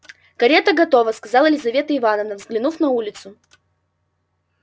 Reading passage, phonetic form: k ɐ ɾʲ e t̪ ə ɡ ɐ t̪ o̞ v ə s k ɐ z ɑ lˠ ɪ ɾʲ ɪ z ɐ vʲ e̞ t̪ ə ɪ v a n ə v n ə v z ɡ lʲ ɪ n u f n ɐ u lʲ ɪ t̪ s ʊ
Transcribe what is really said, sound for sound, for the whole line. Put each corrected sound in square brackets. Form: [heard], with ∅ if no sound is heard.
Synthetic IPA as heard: k ɐ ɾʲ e t̪ ə ɡ ɐ t̪ o̞ v ə s k ɐ z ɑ lˠ ɪ [lʲ] ɪ z ɐ vʲ e̞ t̪ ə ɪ v a n ə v n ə v z ɡ lʲ ɪ n u f n ɐ u lʲ ɪ t̪ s ʊ